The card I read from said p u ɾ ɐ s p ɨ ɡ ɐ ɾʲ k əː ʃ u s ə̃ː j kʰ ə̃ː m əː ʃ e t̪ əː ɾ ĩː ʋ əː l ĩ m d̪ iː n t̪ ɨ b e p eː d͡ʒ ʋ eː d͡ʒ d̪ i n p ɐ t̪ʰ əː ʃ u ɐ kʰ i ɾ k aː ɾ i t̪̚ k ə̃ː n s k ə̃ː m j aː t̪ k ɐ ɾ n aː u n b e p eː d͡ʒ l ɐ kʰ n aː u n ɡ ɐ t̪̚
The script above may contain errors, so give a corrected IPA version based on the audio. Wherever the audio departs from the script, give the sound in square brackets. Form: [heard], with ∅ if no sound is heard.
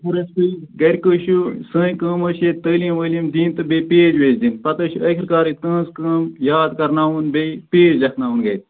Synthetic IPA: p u ɾ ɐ s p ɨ ɡ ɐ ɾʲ k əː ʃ u s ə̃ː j [k] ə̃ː m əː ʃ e t̪ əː [l] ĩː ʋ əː l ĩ m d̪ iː n t̪ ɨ b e p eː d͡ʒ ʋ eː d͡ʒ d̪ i n p ɐ [t̪] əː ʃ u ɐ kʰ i ɾ k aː ɾ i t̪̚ k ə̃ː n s k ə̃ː m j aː [d̪] k ɐ ɾ n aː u n b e p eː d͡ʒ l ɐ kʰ n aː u n ɡ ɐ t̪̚

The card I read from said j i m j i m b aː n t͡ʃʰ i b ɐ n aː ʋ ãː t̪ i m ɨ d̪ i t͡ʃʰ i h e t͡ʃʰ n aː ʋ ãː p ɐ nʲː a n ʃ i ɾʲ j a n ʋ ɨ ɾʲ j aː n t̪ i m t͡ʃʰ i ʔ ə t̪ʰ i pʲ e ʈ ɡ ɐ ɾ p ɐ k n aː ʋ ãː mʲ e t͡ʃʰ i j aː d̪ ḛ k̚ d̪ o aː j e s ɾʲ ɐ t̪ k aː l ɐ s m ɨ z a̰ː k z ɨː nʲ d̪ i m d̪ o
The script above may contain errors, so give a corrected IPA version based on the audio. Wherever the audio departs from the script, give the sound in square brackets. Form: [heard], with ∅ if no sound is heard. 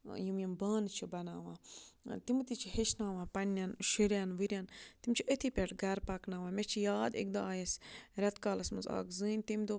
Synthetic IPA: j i m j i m b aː n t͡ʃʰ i b ɐ n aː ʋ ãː t̪ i m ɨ [t̪] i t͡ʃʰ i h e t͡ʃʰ n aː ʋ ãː p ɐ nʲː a n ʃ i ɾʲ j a n ʋ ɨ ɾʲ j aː n t̪ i m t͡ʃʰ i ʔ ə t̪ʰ i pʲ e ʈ ɡ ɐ ɾ p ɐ k n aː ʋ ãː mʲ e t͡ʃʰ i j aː d̪ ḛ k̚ d̪ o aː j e s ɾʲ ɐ t̪ k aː l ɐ s m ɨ z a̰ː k z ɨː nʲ [t̪] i m d̪ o

